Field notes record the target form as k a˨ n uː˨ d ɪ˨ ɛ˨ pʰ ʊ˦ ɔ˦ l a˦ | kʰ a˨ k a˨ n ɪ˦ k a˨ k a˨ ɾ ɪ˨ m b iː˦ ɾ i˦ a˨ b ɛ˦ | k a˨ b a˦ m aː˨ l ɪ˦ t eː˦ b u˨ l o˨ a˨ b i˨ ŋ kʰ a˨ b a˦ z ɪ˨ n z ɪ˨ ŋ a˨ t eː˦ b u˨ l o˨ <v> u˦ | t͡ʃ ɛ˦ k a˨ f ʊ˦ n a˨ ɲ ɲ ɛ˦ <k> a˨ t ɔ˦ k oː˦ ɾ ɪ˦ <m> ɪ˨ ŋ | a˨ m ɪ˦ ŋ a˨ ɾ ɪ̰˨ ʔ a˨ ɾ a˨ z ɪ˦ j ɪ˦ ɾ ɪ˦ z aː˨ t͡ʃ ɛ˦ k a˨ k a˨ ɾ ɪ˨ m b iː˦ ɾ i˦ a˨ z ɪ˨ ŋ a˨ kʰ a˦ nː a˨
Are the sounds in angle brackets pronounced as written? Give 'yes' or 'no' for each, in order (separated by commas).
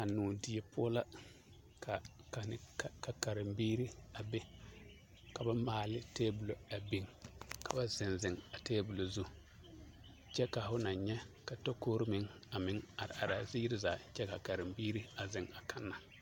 no, yes, yes